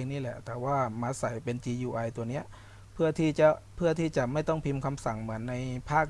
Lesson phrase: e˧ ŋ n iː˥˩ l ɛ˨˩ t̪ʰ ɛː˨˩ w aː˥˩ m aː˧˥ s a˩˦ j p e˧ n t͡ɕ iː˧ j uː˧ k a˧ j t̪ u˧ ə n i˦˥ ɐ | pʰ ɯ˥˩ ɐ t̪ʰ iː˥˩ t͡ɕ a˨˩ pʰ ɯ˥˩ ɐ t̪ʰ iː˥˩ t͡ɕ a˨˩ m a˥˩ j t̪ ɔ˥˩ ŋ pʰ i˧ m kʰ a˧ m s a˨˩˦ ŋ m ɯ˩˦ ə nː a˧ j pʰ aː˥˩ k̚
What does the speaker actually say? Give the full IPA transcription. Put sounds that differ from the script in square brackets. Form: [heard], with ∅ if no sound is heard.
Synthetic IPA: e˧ ŋ n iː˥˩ l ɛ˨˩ [t̪] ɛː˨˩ w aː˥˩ m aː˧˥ s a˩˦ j p e˧ n t͡ɕ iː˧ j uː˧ [ʔ] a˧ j t̪ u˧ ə n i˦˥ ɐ | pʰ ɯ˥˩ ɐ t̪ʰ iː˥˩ t͡ɕ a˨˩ pʰ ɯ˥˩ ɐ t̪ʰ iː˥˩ t͡ɕ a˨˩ m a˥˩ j t̪ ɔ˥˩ ŋ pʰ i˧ m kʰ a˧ m s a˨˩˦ ŋ m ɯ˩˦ ə nː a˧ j pʰ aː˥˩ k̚